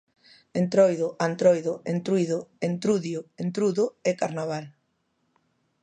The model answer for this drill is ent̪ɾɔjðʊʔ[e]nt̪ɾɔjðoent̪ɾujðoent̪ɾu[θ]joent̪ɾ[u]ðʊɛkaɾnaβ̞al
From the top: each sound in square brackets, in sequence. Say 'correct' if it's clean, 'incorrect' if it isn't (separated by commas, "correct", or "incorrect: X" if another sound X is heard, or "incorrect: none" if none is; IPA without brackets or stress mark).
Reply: incorrect: a, incorrect: ð, correct